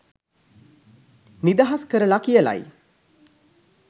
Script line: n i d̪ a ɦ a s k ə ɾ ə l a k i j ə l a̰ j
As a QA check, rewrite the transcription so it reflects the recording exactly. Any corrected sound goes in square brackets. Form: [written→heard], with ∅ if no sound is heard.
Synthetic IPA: n i d̪ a ɦ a s k ə ɾ ə l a k i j ə l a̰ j